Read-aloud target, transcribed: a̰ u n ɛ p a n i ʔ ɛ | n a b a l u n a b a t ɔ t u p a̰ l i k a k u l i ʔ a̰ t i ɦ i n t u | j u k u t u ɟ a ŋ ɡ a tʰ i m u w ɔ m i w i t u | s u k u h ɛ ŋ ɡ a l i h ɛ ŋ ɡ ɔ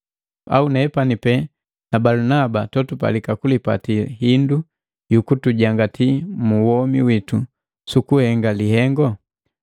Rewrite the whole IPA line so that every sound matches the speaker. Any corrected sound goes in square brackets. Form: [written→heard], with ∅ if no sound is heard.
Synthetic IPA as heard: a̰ u n ɛ p a n i [ʔ→p] ɛ | n a b a l u n a b a t ɔ t u p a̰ l i k a k u l i [ʔ→p] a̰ t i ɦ i n [t→d] u | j u k u t u ɟ a ŋ ɡ a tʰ i m u w ɔ m i w i t u | s u k u h ɛ ŋ ɡ a l i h ɛ ŋ ɡ ɔ

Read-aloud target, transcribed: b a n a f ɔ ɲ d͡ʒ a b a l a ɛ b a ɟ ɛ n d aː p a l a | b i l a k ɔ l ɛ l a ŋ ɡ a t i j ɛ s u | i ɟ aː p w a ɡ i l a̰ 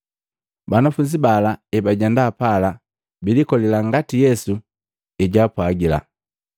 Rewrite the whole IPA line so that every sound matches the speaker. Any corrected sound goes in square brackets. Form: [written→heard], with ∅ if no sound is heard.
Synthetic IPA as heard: b a n a f [ɔ→u] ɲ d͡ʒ [a→i] b a l a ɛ b a ɟ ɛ n d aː p a l a | b i l [a→i] k ɔ l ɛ l a ŋ ɡ a t i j ɛ s u | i ɟ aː p w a ɡ i l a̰

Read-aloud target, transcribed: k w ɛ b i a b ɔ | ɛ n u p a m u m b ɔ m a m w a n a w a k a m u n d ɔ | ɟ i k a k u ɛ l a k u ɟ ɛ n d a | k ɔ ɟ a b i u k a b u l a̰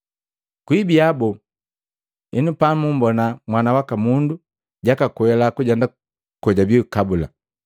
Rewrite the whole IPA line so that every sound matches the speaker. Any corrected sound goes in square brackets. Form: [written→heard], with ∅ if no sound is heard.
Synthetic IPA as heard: k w [ɛ→i] b i a b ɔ | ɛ n u p a m u m b ɔ [m→n] a m w a n a w a k a m u n d [ɔ→u] | ɟ [i→a] k a k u ɛ l a k u ɟ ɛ n d a | k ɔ ɟ a b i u k a b u l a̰

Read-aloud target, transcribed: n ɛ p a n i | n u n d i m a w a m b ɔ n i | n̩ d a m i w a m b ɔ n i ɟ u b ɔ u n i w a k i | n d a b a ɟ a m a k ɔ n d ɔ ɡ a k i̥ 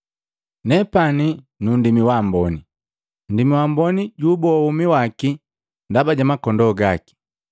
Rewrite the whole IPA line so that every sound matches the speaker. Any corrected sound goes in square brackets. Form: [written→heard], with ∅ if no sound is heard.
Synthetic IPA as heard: n ɛ p a n i | n u n d i m [a→i] w a m b ɔ n i | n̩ d [a→i] m i w a m b ɔ n i ɟ u b ɔ u [n→m] i w a k i | n d a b a ɟ a m a k ɔ n d ɔ ɡ a k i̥

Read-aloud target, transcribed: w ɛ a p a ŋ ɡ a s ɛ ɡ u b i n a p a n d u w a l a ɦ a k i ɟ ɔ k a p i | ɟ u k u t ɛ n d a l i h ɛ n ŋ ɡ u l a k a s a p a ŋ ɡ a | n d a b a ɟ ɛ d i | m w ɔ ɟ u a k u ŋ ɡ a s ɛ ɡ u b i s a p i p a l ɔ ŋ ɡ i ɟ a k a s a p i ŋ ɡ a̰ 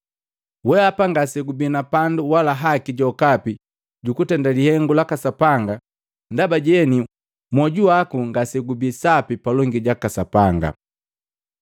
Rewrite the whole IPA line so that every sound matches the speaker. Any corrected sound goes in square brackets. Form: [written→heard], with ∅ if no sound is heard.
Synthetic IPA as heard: w ɛ a p a ŋ ɡ a s ɛ ɡ u b i n a p a n d u w a l a ɦ a k i ɟ ɔ k a p i | ɟ u k u t ɛ n d a l i h ɛ [n→∅] ŋ ɡ u l a k a s a p a ŋ ɡ a | n d a b a ɟ ɛ [d→n] i | m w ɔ ɟ u a k u ŋ ɡ a s ɛ ɡ u b i s a p i p a l ɔ ŋ ɡ i ɟ a k a s a p [i→a] ŋ ɡ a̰

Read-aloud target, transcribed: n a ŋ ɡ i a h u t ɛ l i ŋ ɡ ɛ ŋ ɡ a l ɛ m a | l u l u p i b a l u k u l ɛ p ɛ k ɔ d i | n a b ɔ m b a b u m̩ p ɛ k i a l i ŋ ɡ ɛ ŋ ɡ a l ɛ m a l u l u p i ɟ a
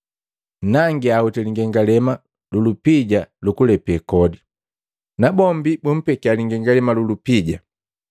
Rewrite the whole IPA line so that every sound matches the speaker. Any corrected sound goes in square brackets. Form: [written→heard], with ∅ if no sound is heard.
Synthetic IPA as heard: n a ŋ ɡ i a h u t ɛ l i ŋ ɡ ɛ ŋ ɡ a l ɛ m a | l u l u p i [b→ɟ] a l u k u l ɛ p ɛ k ɔ d i | n a b ɔ m b [a→i] b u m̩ p ɛ k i a l i ŋ ɡ ɛ ŋ ɡ a l ɛ m a l u l u p i ɟ a

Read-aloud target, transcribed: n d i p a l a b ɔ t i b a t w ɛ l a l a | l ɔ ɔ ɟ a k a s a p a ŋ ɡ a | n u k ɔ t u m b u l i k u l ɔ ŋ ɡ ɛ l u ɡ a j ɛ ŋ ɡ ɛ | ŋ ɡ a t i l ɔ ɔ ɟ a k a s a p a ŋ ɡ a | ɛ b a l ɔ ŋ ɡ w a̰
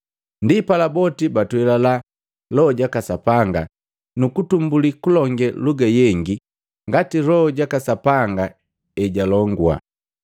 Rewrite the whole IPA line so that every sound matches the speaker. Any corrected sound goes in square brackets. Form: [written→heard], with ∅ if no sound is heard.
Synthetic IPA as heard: n d i p a l a b ɔ t i b a t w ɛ l a l a | l ɔ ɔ ɟ a k a s a p a ŋ ɡ a | n u k [ɔ→u] t u m b u l i k u l ɔ ŋ ɡ ɛ l u ɡ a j ɛ ŋ ɡ [ɛ→i] | ŋ ɡ a t i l ɔ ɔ ɟ a k a s a p a ŋ ɡ a | ɛ [b→ɟ] a l ɔ ŋ ɡ w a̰

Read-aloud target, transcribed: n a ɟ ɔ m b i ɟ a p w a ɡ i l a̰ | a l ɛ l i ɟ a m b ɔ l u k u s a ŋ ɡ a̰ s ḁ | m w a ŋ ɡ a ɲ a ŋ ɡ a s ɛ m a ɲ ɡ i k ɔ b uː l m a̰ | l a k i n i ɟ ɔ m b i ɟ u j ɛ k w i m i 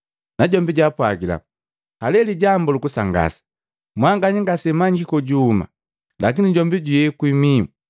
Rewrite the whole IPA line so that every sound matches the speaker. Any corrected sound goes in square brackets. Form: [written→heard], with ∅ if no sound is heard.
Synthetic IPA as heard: n a ɟ ɔ m b i ɟ a p w a ɡ i l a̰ | a l ɛ l i ɟ a m b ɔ l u k u s a ŋ ɡ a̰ s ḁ | m w a ŋ ɡ a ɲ [a→i] ŋ ɡ a s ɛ m a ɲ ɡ i k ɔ [b→ɟ] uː [l→∅] m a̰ | l a k i n i ɟ ɔ m b i ɟ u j ɛ k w i m i

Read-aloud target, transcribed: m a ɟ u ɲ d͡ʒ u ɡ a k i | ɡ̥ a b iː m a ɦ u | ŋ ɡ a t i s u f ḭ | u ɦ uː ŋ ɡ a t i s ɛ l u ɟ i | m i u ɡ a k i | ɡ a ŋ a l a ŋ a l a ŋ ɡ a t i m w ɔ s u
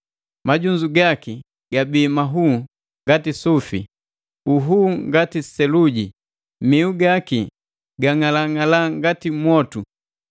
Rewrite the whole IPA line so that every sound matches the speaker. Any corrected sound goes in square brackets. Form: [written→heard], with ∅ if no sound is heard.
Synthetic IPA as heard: m a ɟ u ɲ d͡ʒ u ɡ a k i | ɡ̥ a b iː m a ɦ u | ŋ ɡ a t i s u f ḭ | u ɦ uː ŋ ɡ a t i s ɛ l u ɟ i | m i u ɡ a k i | ɡ a ŋ a l a ŋ a l a ŋ ɡ a t i m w ɔ [s→t] u

